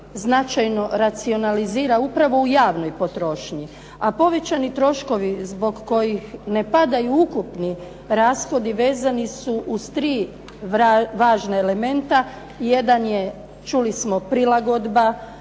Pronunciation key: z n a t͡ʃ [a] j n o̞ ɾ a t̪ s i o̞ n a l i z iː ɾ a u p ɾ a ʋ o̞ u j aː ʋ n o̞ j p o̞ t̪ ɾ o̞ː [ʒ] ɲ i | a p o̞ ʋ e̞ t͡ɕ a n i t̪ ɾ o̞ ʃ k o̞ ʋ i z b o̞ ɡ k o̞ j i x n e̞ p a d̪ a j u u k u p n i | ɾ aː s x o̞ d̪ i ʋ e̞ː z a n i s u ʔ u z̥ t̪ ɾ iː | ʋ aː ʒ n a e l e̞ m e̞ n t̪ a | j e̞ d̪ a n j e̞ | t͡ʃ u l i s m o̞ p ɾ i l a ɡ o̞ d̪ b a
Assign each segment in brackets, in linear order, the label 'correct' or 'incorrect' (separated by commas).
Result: correct, incorrect